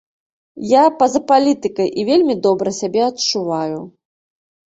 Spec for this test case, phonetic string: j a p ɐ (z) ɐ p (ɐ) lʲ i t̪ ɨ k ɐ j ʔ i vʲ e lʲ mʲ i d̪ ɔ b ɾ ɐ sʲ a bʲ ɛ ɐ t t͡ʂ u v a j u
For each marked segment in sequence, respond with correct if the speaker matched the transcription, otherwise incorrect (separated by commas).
correct, incorrect